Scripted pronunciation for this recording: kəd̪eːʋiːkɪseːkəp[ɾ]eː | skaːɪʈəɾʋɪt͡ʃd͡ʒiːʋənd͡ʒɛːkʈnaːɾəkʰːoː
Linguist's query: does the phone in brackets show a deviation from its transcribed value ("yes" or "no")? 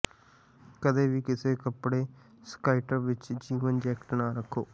yes